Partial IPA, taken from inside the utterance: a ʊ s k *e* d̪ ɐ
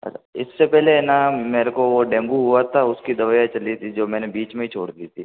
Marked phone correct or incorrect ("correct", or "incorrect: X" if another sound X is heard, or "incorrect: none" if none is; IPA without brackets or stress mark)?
incorrect: i